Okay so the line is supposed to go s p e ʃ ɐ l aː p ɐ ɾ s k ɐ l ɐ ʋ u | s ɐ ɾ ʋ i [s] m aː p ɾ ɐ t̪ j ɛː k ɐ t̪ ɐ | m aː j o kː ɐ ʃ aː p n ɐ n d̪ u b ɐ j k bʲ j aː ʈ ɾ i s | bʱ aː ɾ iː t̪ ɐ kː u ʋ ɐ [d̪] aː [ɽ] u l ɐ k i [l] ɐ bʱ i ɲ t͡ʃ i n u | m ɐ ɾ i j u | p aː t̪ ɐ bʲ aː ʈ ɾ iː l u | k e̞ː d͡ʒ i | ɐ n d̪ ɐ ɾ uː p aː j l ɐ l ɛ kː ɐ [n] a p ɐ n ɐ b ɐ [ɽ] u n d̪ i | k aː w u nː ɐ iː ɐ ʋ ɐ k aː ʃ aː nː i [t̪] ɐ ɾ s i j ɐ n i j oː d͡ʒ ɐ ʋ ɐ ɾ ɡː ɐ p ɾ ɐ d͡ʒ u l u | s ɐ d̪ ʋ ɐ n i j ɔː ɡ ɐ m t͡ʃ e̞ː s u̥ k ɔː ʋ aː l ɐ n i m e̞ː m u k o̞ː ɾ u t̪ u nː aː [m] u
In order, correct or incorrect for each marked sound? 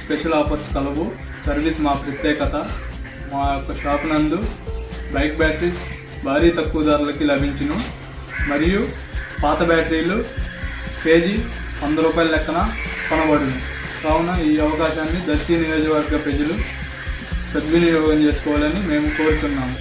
correct, correct, incorrect: ɾ, correct, correct, correct, incorrect: d̪, correct

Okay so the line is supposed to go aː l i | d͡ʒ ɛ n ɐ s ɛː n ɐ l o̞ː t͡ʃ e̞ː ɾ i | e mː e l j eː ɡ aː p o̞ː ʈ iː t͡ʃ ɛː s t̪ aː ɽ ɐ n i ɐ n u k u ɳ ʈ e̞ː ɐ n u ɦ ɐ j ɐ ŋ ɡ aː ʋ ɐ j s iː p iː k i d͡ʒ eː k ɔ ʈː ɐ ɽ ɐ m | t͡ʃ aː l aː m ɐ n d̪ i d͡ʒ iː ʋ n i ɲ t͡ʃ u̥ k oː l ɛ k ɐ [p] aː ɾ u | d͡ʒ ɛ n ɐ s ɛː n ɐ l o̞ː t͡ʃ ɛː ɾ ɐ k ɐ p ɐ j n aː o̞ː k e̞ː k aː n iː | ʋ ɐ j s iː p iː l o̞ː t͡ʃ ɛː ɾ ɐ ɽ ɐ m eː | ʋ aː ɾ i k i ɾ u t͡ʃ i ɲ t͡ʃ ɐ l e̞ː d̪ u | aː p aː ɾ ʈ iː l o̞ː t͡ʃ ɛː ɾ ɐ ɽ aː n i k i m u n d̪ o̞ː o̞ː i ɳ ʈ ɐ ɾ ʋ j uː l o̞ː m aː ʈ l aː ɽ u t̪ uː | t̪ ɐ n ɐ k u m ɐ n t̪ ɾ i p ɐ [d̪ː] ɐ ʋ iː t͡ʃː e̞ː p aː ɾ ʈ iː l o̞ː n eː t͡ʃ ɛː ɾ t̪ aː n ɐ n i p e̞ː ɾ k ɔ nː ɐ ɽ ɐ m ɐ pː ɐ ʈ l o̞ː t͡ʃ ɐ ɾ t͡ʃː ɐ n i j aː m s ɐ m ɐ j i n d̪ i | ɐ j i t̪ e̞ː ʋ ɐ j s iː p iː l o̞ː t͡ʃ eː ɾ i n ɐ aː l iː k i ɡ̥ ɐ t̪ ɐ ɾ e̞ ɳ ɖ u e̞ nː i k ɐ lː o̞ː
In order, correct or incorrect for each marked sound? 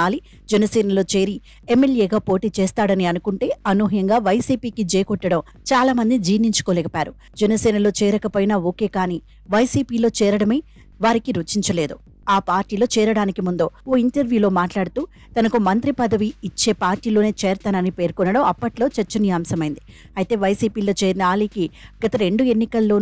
correct, incorrect: d̪

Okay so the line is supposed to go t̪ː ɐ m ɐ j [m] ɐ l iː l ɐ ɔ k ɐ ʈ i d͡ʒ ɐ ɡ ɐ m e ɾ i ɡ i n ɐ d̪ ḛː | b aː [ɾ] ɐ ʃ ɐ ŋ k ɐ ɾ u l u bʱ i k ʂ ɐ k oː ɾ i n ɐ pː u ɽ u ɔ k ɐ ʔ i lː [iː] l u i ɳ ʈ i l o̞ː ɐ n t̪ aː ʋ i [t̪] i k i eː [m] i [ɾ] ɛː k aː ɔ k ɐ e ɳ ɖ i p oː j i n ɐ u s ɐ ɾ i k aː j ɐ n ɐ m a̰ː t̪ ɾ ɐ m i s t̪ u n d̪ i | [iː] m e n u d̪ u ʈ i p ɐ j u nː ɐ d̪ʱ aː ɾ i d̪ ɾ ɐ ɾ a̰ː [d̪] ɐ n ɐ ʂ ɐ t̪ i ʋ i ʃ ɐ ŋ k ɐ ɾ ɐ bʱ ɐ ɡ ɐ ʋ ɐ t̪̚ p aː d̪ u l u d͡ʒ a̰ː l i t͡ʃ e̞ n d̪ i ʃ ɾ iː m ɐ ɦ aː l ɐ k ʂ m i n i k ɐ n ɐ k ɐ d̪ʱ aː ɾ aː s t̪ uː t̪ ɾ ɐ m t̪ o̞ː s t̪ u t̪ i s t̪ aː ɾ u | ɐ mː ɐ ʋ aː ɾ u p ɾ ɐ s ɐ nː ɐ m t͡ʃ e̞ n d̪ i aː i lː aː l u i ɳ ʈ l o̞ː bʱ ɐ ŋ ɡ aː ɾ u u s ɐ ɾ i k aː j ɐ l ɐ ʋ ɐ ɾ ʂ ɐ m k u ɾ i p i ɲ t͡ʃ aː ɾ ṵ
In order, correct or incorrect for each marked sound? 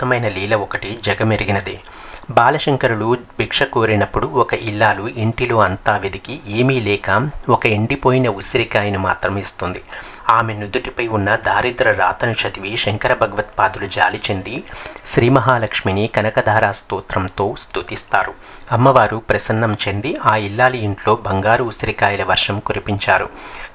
incorrect: n, incorrect: l, incorrect: aː, incorrect: d̪, correct, incorrect: l, incorrect: aː, incorrect: t̪

